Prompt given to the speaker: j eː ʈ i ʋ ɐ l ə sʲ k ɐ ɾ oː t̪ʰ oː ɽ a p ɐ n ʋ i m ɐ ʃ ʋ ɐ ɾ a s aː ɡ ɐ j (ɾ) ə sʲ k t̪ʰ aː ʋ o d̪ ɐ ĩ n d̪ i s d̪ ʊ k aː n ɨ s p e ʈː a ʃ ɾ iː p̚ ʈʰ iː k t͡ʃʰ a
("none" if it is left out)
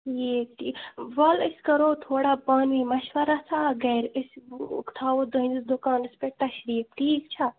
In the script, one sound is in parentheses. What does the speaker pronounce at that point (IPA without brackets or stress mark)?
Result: ɾ